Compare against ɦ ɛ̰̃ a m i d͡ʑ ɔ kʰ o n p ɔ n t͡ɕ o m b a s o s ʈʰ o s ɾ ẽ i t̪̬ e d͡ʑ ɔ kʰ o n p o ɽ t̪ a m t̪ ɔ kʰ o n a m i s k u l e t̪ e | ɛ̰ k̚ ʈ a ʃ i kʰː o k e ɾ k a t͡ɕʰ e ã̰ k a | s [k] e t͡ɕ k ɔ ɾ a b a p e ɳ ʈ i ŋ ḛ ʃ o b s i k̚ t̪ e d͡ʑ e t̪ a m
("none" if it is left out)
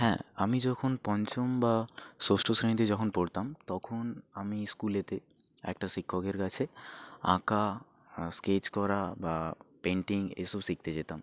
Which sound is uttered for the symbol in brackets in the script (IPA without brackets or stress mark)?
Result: k